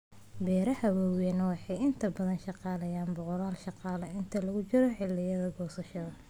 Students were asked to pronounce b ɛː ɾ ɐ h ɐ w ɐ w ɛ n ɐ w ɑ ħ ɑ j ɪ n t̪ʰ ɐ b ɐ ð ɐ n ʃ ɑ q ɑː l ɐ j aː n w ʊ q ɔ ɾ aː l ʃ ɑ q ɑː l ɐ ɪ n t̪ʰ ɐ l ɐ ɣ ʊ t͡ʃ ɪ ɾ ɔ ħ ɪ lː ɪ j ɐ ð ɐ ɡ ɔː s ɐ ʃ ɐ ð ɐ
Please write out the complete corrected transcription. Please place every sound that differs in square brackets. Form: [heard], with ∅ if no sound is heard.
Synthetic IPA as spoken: b ɛː ɾ ɐ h ɐ w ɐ w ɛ n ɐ w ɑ ħ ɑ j ɪ n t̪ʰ ɐ b ɐ ð ɐ n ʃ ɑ q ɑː l ɐ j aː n [b] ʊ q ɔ ɾ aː l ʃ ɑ q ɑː l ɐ ɪ n t̪ʰ ɐ l ɐ ɣ ʊ t͡ʃ ɪ ɾ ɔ ħ ɪ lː ɪ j ɐ ð ɐ ɡ ɔː s ɐ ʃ ɐ ð ɐ